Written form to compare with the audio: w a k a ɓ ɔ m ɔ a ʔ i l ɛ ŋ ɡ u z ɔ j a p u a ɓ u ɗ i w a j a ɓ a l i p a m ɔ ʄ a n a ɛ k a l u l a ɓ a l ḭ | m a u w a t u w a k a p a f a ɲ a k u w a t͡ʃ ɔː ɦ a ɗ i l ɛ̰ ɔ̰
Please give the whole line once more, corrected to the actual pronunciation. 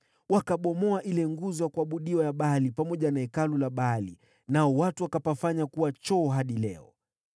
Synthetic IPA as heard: w a k a ɓ ɔ m ɔ a ʔ i l ɛ ŋ ɡ u z ɔ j a k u a ɓ u ɗ i w a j a ɓ a l i p a m ɔ ʄ a n a ɛ k a l u l a ɓ a l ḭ | n a ɔ w a t u w a k a p a f a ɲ a k u w a t͡ʃ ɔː ɦ a ɗ i l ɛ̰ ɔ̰